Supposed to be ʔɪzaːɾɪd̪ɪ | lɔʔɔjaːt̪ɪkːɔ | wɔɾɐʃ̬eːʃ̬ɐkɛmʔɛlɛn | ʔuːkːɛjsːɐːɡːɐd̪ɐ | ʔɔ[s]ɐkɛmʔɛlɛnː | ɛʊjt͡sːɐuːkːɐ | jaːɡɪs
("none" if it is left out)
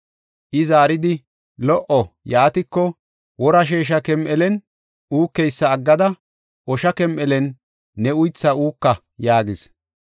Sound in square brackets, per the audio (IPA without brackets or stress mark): ʃ